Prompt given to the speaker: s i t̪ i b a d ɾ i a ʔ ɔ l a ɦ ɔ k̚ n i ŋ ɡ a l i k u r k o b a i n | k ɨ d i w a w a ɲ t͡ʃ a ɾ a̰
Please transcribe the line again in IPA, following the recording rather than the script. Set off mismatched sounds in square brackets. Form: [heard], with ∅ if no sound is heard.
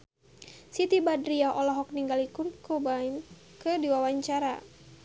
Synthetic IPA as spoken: s i t̪ i b a d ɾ i a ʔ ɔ l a ɦ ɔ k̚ n i ŋ ɡ a l i k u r k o b a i n | k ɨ d i w a w a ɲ t͡ʃ a ɾ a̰